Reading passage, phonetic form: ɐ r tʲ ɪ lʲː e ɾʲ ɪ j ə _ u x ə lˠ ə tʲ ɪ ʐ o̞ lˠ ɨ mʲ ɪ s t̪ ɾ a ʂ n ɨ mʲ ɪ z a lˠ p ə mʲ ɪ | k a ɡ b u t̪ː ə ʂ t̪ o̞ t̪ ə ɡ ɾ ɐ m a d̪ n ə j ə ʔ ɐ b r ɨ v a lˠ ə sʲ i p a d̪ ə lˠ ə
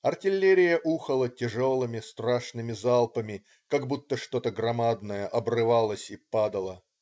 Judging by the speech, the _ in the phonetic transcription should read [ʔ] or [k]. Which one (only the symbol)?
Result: ʔ